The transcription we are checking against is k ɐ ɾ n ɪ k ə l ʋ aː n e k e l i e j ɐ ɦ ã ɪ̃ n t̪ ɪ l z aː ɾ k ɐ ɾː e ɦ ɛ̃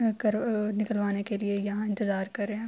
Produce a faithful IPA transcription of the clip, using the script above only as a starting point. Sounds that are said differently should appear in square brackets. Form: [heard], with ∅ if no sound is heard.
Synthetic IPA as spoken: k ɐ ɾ n ɪ k ə l ʋ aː n e k e l i e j ɐ ɦ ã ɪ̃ n t̪ ɪ [∅] z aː ɾ k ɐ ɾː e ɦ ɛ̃